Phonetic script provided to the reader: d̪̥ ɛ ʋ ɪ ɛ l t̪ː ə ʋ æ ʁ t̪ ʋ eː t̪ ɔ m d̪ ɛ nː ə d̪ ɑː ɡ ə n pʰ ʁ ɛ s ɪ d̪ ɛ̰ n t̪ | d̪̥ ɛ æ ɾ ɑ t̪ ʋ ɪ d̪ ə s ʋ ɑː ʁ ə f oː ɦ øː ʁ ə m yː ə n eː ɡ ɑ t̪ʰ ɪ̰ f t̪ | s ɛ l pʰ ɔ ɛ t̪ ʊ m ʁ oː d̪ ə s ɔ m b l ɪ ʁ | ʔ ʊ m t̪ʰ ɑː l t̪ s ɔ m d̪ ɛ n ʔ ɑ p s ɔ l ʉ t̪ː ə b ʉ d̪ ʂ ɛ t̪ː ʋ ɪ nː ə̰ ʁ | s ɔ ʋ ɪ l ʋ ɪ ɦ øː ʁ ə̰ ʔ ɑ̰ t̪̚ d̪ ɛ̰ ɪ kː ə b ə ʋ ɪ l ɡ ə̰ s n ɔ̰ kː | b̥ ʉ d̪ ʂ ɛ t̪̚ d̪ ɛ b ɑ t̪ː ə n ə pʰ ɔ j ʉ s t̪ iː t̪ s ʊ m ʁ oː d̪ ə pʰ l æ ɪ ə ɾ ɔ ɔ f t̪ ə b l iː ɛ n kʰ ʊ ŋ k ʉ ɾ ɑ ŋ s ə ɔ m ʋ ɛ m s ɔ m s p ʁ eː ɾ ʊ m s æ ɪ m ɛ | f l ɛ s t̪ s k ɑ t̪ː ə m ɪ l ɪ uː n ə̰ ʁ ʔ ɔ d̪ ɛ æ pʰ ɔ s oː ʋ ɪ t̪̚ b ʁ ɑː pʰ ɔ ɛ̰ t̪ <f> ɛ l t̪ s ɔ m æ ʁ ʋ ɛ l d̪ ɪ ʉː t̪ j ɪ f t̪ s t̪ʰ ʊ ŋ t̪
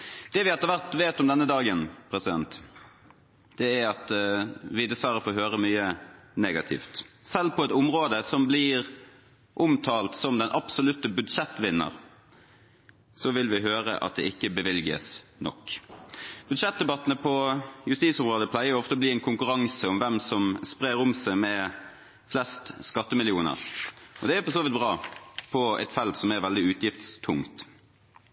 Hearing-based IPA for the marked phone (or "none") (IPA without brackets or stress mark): f